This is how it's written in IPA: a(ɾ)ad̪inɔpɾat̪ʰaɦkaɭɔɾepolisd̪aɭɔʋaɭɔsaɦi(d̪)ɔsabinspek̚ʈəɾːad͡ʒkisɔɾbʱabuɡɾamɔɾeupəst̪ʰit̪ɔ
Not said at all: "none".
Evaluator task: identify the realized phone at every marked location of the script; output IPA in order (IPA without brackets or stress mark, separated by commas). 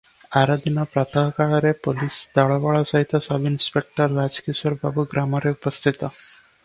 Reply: ɾ, t̪